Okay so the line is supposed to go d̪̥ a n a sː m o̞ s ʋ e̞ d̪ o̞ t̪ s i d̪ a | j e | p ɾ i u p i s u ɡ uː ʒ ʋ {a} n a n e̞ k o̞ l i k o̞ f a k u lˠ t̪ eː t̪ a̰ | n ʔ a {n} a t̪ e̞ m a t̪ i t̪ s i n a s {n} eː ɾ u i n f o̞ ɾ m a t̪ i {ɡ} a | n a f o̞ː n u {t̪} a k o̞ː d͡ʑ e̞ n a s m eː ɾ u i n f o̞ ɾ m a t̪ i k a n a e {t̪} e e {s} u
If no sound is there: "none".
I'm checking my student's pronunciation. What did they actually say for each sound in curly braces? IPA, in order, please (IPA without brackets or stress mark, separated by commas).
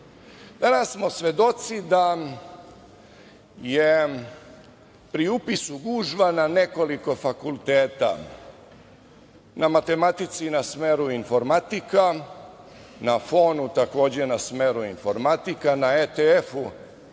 a, m, m, k, t̪, t̪, f